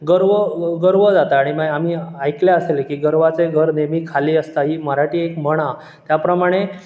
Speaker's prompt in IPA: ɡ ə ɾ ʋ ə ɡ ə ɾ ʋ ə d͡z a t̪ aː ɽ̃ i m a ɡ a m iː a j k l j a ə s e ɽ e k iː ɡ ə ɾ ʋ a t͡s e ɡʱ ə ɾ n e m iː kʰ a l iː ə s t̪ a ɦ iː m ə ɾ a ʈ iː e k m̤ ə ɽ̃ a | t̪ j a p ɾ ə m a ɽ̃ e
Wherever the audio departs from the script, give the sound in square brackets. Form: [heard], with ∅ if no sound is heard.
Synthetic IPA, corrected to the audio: ɡ ə ɾ ʋ ə ɡ ə ɾ ʋ ə d͡z a t̪ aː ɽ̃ i m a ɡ a m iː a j k l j a ə s e [l] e k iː ɡ ə ɾ ʋ a t͡s e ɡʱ ə ɾ n e m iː kʰ a l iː ə s t̪ a ɦ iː m ə ɾ a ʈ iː e k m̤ ə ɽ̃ a | t̪ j a p ɾ ə m a ɽ̃ e